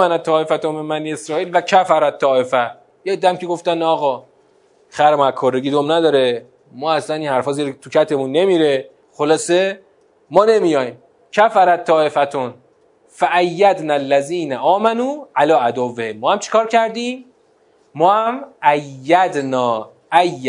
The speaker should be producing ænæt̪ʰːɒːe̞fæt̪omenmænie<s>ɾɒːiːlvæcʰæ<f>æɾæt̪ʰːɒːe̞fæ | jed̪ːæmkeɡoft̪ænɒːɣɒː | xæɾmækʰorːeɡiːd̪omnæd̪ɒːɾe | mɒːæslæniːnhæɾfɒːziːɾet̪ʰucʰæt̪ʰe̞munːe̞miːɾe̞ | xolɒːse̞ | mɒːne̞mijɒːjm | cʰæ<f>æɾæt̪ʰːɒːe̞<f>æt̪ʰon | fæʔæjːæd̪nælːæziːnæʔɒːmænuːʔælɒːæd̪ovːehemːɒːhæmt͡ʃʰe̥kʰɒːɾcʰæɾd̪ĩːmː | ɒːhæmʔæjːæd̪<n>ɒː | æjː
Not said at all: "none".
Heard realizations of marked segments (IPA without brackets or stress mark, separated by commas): s, f, f, f, n